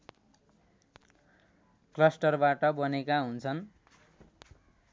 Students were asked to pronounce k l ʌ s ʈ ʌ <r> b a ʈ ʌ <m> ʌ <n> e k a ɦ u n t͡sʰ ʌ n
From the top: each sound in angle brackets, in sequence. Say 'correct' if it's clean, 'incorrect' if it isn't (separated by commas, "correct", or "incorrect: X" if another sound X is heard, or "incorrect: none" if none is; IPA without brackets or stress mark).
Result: correct, incorrect: b, correct